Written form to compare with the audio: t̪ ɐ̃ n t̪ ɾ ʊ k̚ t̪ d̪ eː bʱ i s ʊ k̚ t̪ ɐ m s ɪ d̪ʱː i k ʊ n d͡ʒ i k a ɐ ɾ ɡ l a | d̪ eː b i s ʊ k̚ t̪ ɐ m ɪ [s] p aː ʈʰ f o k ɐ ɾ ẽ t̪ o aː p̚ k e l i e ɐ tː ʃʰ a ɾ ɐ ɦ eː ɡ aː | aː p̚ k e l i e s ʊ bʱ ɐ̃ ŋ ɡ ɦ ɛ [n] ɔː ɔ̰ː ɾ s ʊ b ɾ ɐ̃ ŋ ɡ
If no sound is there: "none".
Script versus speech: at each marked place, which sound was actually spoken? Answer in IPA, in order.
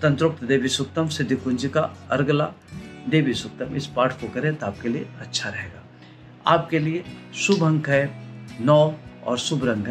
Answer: s, n

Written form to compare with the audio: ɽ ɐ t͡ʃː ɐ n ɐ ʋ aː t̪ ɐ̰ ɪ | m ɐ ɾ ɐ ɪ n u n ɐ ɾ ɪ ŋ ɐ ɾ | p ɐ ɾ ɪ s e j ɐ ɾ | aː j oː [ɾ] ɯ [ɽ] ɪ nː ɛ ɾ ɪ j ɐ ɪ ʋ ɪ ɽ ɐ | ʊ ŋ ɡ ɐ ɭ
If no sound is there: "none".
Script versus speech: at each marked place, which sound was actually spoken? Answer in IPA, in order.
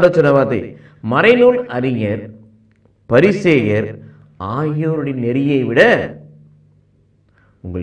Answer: ɾ, ɽ

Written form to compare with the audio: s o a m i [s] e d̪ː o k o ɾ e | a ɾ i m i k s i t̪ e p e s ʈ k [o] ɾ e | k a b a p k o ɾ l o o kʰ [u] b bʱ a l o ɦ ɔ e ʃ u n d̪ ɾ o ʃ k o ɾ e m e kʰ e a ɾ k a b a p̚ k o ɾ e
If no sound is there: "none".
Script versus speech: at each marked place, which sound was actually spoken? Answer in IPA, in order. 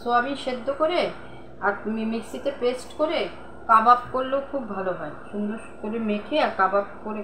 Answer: ʃ, o, u

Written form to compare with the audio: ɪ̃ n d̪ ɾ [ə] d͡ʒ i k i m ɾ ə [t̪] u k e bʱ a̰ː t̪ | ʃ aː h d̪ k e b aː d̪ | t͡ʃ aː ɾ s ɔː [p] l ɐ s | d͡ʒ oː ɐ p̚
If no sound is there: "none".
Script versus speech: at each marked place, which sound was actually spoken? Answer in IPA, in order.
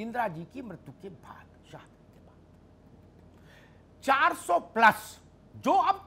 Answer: a, t̪, p

